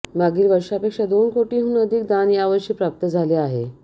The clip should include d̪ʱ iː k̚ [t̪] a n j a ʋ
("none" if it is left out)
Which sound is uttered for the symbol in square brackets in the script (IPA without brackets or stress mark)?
d̪